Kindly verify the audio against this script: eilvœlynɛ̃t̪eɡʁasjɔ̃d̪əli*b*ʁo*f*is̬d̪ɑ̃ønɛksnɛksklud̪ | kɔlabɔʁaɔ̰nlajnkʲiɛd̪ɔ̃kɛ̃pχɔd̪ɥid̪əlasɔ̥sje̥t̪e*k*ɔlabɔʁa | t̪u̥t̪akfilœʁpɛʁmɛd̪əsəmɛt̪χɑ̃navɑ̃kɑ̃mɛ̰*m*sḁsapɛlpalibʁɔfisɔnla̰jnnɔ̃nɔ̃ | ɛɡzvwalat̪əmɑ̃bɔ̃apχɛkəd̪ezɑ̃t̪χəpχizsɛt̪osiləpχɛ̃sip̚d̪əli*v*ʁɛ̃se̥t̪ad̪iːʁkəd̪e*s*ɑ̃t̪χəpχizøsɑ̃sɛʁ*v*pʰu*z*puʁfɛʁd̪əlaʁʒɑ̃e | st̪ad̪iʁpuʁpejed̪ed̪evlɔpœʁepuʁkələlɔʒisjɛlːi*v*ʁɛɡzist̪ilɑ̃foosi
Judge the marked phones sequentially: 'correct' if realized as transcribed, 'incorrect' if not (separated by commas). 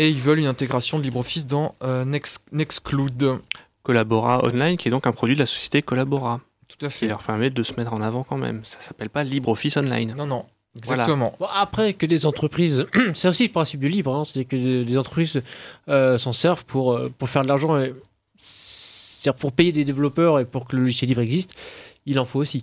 correct, correct, correct, correct, incorrect, incorrect, correct, incorrect, incorrect